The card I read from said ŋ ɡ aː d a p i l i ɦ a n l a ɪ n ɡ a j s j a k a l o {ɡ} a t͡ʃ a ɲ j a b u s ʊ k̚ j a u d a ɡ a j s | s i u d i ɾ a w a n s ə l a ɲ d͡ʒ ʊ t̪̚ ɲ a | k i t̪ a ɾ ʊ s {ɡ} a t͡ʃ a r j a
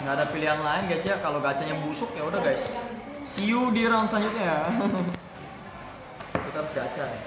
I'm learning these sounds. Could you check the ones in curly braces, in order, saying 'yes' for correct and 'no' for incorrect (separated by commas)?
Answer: yes, yes